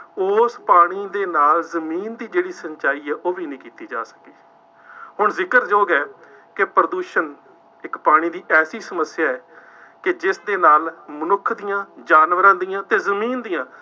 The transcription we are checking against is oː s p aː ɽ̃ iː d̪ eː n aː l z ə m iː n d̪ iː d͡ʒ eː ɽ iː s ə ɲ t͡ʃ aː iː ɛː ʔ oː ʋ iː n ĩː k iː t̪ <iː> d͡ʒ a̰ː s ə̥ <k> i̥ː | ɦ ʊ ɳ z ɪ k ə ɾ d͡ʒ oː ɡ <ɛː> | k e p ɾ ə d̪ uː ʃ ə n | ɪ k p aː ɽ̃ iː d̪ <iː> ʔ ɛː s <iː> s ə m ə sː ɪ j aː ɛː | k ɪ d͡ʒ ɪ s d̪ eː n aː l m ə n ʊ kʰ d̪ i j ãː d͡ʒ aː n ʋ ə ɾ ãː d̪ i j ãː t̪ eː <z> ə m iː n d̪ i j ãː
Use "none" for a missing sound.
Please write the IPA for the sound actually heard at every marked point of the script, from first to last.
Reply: iː, k, ɛː, iː, iː, z

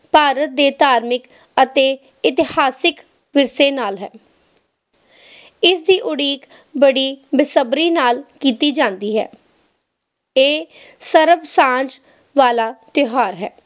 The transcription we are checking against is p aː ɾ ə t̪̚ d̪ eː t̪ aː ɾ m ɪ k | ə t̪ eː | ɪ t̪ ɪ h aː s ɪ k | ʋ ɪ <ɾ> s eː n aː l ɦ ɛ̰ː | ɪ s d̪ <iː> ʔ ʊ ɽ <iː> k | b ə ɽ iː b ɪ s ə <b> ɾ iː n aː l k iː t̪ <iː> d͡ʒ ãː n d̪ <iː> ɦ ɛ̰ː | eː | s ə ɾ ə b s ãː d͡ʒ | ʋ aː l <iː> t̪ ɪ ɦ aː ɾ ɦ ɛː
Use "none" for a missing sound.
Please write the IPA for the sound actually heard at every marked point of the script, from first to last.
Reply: ɾ, iː, iː, b, iː, iː, aː

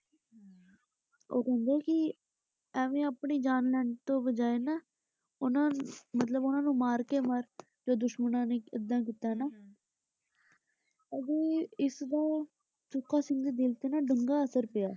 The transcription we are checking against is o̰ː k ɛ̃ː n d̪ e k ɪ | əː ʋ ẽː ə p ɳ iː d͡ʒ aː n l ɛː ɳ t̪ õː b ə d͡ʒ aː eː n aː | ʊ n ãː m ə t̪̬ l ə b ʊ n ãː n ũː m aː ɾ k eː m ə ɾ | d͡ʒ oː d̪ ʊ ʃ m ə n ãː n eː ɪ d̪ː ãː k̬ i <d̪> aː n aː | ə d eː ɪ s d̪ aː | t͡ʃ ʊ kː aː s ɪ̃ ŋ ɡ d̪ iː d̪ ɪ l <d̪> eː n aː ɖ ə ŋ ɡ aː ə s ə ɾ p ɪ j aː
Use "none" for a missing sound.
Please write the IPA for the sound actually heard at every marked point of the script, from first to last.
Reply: t̪, t̪

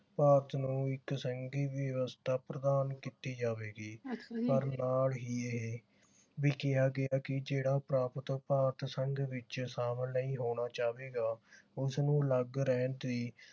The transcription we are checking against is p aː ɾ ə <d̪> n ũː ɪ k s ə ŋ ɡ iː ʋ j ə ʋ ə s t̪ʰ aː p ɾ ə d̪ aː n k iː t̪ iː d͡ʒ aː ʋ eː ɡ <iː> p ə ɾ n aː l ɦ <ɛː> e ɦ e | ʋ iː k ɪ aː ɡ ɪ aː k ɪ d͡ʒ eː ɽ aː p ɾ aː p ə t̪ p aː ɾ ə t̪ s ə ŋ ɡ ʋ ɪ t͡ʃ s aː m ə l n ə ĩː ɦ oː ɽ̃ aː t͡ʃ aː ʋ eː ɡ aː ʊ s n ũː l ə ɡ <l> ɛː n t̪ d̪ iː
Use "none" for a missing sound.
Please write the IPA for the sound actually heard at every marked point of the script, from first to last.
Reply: t̪, iː, iː, ɾ

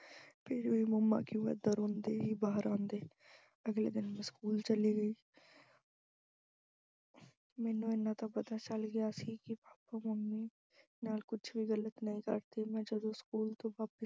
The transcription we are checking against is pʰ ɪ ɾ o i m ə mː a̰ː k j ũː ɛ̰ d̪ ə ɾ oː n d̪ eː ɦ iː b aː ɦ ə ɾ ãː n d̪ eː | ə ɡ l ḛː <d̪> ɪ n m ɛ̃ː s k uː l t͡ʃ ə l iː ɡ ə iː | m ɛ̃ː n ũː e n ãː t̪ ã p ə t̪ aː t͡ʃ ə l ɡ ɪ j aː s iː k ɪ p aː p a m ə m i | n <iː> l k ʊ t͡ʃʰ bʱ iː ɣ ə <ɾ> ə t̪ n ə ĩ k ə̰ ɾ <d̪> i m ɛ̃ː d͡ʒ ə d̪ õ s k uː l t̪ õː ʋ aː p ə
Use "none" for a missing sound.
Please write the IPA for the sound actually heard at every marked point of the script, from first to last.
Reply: d̪, aː, l, t̪

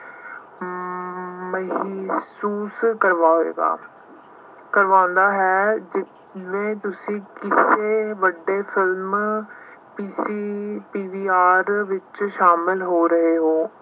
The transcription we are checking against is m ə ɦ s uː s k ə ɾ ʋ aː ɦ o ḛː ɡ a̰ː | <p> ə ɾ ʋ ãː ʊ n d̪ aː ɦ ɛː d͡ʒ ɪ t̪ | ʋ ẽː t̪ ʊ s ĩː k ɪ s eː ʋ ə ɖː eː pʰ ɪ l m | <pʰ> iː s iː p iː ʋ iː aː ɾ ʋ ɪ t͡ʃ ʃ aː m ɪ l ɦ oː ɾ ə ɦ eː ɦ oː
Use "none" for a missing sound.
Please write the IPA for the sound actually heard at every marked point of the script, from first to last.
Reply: k, p

